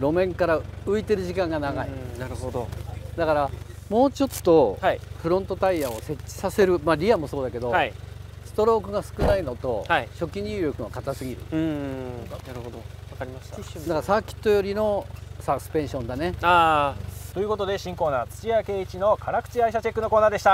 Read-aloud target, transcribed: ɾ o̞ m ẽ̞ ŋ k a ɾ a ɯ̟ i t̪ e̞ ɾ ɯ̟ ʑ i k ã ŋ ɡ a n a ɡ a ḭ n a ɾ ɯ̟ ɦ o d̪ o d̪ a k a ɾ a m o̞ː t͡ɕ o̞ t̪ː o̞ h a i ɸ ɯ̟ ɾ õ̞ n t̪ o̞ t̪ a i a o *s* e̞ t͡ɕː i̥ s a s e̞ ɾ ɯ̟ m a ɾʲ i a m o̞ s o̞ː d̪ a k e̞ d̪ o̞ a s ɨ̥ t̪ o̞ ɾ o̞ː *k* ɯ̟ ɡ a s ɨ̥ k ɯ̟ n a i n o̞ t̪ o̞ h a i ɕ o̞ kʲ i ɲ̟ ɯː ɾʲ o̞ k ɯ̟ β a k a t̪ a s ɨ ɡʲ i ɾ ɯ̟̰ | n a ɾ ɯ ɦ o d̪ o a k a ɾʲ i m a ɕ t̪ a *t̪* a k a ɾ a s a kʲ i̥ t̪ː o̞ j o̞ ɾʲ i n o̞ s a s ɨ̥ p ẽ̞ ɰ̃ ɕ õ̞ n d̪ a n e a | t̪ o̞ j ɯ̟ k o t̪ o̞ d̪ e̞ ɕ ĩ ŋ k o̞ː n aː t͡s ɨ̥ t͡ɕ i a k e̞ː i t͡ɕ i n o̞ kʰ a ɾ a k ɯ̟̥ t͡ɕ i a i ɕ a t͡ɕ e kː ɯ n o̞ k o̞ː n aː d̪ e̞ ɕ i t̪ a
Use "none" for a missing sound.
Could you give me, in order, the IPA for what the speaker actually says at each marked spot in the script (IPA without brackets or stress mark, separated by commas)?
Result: s, k, d̪